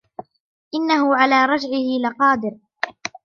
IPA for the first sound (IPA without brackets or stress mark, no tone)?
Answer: ʔ